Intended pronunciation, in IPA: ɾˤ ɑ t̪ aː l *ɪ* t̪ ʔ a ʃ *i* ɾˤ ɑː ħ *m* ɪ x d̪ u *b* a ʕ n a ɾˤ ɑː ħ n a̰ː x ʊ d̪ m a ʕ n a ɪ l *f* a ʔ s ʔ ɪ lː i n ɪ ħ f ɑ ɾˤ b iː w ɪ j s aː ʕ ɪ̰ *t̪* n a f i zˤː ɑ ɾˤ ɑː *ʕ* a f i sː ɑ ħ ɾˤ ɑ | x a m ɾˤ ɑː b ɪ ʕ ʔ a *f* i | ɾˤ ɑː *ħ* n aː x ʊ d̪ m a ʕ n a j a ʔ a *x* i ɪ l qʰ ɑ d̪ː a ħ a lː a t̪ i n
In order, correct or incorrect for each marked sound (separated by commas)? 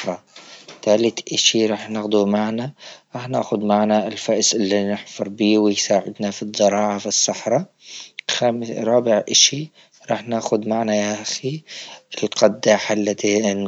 correct, correct, incorrect, incorrect, correct, incorrect, correct, incorrect, correct, correct